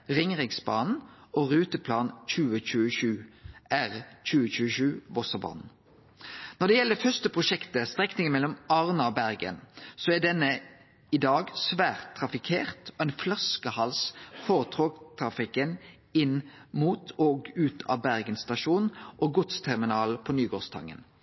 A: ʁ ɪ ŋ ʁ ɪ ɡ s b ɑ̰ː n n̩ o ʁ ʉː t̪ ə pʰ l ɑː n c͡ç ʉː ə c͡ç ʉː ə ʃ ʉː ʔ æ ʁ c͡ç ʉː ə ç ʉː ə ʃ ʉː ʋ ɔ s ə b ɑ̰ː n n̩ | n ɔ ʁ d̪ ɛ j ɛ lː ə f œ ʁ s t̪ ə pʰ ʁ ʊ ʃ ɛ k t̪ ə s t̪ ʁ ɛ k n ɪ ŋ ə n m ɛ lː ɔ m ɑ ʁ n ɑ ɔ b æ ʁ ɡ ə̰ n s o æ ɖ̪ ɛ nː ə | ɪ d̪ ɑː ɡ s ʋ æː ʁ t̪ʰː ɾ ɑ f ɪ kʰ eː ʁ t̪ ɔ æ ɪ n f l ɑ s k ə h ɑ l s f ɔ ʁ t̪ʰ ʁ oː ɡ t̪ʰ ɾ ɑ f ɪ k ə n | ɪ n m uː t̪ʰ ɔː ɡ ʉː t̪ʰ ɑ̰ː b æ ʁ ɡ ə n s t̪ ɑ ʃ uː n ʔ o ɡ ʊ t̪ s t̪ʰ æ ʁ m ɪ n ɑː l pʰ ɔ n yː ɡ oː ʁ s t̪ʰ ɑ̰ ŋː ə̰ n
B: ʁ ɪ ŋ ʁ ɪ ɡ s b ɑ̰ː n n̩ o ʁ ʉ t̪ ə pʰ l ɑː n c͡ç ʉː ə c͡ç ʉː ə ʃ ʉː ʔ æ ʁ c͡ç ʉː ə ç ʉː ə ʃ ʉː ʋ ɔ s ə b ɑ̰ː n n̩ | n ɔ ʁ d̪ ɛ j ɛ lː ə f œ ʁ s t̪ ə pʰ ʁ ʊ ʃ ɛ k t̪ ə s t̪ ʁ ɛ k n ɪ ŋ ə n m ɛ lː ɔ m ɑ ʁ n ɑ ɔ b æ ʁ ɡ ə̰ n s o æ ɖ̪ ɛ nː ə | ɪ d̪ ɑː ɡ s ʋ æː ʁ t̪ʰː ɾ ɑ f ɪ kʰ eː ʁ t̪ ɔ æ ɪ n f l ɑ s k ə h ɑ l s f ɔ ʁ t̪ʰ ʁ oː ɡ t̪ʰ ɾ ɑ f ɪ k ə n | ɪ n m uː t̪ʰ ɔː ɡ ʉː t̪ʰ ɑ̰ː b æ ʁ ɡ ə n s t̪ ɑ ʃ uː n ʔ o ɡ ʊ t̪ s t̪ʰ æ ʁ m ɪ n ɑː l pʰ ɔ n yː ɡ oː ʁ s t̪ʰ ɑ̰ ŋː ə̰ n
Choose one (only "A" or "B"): A